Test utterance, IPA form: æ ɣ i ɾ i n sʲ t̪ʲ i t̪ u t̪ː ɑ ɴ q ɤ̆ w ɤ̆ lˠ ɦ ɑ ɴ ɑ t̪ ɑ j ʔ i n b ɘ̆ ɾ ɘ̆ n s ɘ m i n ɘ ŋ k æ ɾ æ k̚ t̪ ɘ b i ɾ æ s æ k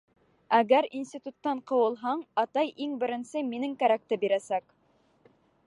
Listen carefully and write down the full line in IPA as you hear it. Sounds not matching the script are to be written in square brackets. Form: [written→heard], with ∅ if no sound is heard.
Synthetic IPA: æ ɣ [i→æ] ɾ i n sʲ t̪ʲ i t̪ u t̪ː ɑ ɴ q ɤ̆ w ɤ̆ lˠ ɦ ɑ ɴ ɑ t̪ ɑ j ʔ i [n→ŋ] b ɘ̆ ɾ ɘ̆ n s ɘ m i n ɘ ŋ k æ ɾ æ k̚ t̪ ɘ b i ɾ æ s æ k